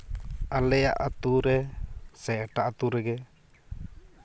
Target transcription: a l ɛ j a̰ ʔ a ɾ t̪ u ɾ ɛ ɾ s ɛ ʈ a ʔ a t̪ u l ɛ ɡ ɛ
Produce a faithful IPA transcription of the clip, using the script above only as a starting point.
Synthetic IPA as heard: a l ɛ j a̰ ʔ a t̪ u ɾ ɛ s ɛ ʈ a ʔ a t̪ u ɾ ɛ ɡ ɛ